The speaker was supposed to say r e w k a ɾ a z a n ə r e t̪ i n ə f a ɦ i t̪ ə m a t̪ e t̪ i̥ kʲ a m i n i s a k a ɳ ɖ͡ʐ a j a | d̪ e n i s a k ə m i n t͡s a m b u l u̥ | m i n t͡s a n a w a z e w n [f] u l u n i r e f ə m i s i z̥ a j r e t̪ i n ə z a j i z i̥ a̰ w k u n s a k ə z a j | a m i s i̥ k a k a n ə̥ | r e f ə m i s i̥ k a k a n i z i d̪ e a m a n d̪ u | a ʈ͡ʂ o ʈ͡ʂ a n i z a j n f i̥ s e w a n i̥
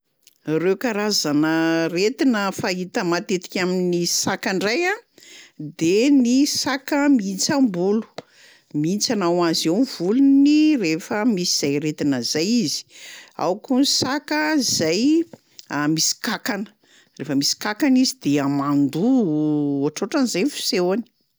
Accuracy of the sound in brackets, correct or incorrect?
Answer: incorrect